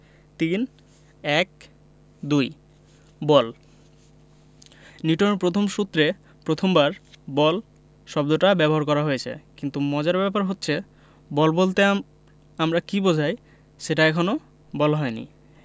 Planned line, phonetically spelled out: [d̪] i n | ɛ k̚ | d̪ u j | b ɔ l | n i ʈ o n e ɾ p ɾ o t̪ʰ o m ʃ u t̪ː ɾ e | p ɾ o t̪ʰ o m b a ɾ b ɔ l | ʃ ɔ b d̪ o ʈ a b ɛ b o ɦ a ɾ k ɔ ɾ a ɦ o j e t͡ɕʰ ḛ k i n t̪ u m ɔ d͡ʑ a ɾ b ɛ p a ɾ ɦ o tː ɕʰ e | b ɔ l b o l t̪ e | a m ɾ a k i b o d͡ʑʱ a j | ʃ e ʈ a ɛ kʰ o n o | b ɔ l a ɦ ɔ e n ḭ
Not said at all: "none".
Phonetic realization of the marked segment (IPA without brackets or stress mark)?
t̪